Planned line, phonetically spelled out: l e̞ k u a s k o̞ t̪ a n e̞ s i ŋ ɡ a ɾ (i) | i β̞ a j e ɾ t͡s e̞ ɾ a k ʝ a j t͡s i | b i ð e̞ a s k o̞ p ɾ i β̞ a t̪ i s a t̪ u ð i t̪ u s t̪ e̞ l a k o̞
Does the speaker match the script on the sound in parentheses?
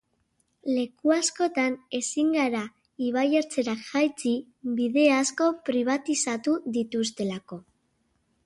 no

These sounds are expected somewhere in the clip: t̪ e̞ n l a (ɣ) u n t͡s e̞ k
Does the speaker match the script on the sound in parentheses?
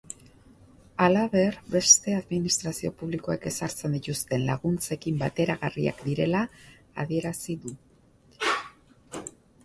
yes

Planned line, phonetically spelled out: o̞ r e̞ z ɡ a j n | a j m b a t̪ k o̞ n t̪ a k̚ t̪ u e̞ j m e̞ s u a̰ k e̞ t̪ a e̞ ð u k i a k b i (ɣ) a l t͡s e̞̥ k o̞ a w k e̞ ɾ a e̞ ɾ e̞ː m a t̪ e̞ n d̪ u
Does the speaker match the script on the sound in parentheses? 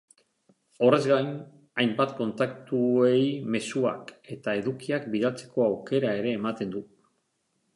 no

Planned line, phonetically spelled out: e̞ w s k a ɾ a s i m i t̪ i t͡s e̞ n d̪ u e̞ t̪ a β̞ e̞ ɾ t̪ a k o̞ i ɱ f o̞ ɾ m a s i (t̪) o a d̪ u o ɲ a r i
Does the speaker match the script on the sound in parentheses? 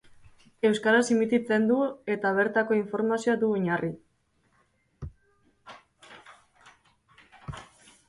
no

